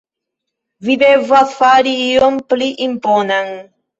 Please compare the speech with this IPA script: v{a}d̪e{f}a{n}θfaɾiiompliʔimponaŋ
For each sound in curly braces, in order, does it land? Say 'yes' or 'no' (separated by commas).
no, no, no